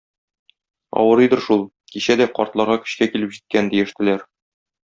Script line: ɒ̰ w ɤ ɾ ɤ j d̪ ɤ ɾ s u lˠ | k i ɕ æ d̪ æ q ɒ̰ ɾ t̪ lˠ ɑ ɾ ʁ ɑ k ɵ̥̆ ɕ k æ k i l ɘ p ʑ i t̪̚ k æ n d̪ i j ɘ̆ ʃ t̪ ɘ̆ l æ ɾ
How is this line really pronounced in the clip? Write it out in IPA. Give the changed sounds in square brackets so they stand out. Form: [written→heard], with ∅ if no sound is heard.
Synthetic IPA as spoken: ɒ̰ w ɤ ɾ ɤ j d̪ ɤ ɾ [s→ʃ] u lˠ | k i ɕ æ d̪ æ q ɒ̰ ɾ t̪ lˠ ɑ ɾ ʁ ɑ k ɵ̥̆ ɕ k æ k i l ɘ p ʑ i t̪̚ k æ n d̪ i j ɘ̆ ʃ t̪ ɘ̆ l æ ɾ